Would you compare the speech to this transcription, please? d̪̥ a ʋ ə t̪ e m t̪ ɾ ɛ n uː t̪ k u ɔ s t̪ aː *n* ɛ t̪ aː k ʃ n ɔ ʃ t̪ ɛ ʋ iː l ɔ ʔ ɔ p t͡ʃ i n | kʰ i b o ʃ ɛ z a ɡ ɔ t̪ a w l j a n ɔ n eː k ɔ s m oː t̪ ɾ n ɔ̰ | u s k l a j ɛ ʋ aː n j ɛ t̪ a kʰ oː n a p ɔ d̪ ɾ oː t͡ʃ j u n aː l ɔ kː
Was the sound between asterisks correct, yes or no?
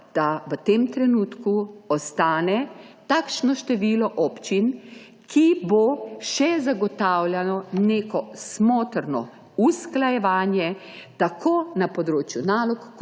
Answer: yes